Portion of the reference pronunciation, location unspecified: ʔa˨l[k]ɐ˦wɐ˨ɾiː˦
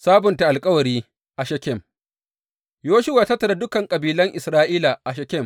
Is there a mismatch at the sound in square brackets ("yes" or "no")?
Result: yes